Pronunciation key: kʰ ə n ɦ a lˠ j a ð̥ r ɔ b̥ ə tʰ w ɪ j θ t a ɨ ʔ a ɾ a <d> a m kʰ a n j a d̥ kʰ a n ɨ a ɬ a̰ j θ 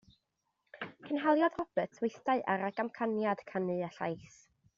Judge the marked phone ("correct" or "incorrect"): incorrect